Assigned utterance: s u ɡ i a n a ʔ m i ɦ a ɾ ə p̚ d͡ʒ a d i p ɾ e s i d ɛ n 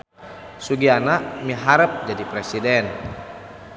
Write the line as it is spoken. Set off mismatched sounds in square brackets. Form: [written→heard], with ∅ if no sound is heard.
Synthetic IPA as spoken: s u ɡ i a n a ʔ m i ɦ a ɾ ə p̚ d͡ʒ a d i p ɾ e s i d ɛ n